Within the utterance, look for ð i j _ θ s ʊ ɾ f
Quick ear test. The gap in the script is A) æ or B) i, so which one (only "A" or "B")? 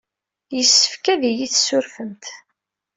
B